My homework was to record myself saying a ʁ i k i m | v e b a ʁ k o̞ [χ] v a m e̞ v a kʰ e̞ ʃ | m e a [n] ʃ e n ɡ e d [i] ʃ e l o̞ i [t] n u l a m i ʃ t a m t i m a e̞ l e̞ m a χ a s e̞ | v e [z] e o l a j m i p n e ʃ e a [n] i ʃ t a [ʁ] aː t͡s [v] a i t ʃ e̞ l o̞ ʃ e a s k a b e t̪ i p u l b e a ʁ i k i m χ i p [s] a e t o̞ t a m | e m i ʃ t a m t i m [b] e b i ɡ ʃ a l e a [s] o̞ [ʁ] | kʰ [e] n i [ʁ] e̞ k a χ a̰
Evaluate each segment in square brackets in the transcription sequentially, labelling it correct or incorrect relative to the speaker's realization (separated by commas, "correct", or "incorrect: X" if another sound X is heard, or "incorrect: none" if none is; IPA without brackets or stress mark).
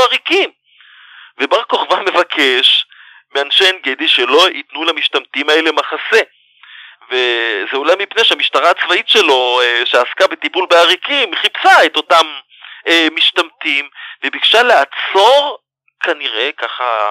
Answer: correct, correct, correct, correct, correct, incorrect: m, correct, correct, correct, incorrect: v, incorrect: t͡s, correct, incorrect: a, correct